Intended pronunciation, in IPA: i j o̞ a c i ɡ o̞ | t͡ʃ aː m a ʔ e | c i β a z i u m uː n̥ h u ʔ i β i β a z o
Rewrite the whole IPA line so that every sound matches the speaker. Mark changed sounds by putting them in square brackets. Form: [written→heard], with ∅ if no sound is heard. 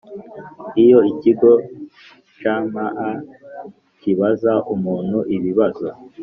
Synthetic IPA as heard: i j o̞ [a→i] c i ɡ o̞ | t͡ʃ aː m a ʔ [e→a] | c i β a z [i→a] u m uː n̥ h u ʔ i β i β a z o

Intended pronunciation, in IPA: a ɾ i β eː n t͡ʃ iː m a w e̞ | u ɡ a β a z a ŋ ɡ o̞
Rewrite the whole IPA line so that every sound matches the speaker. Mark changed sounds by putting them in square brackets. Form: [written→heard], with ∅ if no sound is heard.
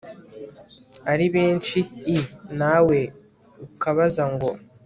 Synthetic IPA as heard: a ɾ i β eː n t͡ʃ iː [m→n] a w e̞ | u [ɡ→k] a β a z a ŋ ɡ o̞

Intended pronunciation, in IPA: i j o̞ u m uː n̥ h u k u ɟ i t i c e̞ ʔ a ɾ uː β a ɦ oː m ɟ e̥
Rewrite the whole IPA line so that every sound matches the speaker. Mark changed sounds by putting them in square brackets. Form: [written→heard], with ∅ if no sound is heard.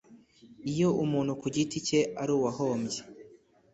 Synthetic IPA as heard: i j o̞ u m uː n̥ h u k u ɟ i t i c e̞ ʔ a ɾ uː [β→w] a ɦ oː m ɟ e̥

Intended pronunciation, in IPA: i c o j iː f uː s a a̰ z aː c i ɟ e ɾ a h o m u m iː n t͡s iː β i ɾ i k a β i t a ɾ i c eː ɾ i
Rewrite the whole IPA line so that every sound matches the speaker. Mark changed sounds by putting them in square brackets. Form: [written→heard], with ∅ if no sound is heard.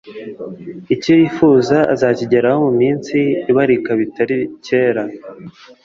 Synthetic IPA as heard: i c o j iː f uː [s→z] a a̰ z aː c i ɟ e ɾ a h o m u m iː n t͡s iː β [i→a] ɾ i k a β i t a ɾ i c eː ɾ [i→a]

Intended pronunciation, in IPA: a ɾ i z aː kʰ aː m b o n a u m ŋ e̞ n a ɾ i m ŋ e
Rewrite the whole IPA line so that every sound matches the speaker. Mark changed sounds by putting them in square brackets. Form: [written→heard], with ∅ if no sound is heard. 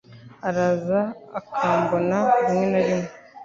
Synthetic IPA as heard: a ɾ [i→a] z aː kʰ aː m b o n a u m ŋ e̞ n a ɾ i m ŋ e

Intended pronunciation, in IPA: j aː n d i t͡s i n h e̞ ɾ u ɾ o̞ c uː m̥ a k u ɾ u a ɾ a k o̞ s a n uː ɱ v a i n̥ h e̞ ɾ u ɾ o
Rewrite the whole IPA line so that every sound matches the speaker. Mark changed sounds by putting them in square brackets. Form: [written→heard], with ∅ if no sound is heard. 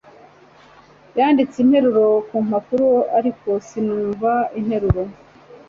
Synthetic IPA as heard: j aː n d i t͡s i n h e̞ ɾ u ɾ o̞ [c→k] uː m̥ a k u ɾ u a ɾ [a→i] k o̞ s [a→i] n uː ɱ v a i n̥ h e̞ ɾ u ɾ o

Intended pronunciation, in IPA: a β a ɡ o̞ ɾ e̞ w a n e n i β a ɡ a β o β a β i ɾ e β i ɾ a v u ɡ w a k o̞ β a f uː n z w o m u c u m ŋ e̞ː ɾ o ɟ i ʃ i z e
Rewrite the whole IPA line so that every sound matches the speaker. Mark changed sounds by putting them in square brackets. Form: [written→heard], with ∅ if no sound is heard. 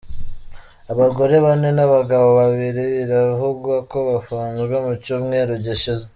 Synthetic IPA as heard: a β a ɡ o̞ ɾ e̞ [w→β] a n e n [i→a] β a ɡ a β o β a β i ɾ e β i ɾ a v u ɡ w a k o̞ β a f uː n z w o m u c u m ŋ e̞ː ɾ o ɟ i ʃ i z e

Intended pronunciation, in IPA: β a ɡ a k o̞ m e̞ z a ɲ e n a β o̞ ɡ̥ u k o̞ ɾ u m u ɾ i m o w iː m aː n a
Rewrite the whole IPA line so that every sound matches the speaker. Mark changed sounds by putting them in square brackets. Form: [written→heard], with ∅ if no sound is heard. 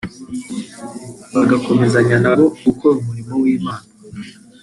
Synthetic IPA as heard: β a ɡ a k o̞ m e̞ z a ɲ [e→a] n a β o̞ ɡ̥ u k o̞ ɾ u m u ɾ i m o w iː m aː n a

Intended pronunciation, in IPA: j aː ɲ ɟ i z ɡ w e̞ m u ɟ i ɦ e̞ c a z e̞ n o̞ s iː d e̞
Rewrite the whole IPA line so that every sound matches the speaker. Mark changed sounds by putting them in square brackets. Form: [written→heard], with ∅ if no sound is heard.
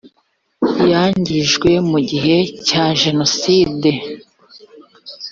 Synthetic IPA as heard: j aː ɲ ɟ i [z→ʒ] ɡ w e̞ m u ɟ i ɦ e̞ c a [z→ʒ] e̞ n o̞ s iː d e̞

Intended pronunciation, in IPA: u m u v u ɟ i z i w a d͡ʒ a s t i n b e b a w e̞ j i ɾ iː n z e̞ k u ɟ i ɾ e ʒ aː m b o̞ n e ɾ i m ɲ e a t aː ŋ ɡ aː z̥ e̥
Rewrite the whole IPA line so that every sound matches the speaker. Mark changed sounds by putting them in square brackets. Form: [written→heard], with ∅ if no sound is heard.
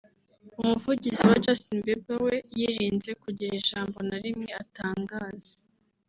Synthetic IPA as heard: u m u v u ɟ i z i w a d͡ʒ a s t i n b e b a w e̞ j i ɾ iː n z e̞ k u ɟ i ɾ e ʒ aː m b o̞ n [e→a] ɾ i m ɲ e a t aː ŋ ɡ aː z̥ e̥

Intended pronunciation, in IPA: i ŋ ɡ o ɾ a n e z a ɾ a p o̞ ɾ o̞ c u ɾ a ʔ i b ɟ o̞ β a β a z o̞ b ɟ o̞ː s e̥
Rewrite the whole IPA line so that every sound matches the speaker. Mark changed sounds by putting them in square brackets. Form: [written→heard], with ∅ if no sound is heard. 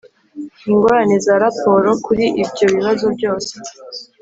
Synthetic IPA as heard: i ŋ ɡ o ɾ a n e z a ɾ a p o̞ ɾ o̞ [c→k] u ɾ [a→i] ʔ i b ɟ o̞ β [a→i] β a z o̞ b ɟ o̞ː s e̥

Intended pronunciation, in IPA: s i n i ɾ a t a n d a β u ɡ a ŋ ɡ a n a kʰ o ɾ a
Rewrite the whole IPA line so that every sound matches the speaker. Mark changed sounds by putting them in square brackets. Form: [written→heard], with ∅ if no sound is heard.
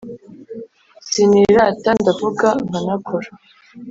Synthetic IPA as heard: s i n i ɾ a t a n d a [β→v] u ɡ a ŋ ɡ a n a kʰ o ɾ a

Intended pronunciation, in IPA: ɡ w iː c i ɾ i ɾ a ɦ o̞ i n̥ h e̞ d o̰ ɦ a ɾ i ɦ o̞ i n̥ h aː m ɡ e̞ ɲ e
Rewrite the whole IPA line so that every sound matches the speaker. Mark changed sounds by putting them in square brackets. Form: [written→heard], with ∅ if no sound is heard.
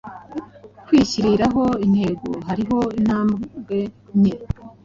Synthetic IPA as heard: [ɡ→k] w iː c i ɾ i ɾ a ɦ o̞ i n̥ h e̞ [d→ɡ] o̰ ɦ a ɾ i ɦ o̞ i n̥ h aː m ɡ e̞ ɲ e

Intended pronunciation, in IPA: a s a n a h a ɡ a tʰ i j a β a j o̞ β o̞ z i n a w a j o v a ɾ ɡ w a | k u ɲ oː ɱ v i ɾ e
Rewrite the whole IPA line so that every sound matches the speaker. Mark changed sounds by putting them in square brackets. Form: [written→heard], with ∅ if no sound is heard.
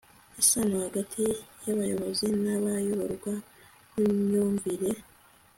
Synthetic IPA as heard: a s a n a h a ɡ a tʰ i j a β a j o̞ β o̞ z i n a [w→β] a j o [v→β] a ɾ ɡ w a | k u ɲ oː ɱ v i ɾ e

